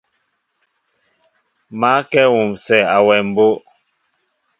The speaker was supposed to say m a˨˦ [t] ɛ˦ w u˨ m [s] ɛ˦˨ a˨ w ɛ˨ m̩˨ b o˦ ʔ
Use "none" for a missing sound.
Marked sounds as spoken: k, s

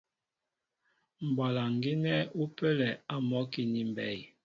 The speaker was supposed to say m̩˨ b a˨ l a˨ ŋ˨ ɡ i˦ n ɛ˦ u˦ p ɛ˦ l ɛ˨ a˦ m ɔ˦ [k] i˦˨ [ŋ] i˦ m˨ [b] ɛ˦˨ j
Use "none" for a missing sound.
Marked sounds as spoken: k, n, b

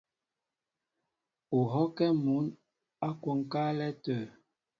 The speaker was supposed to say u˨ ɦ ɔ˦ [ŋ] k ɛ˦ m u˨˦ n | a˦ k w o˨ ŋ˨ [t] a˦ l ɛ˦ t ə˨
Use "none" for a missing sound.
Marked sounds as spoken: none, k

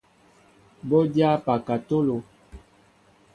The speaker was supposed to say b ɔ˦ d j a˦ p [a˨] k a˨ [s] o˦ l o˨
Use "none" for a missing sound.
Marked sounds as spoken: a˨, t

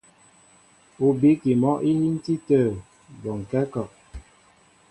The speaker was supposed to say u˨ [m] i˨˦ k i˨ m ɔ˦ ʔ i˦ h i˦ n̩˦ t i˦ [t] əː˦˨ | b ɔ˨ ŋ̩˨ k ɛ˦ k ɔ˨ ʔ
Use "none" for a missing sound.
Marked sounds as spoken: b, t

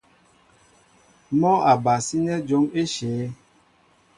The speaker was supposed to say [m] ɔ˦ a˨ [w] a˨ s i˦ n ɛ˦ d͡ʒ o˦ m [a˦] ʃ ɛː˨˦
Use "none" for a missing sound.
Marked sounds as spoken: m, b, e˦

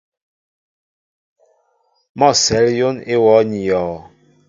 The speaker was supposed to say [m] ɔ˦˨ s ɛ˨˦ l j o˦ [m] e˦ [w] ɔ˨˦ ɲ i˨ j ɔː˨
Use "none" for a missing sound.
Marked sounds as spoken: m, n, w

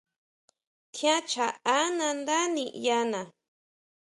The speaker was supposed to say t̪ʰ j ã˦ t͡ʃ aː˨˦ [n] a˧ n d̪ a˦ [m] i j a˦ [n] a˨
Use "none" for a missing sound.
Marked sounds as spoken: n, n, n

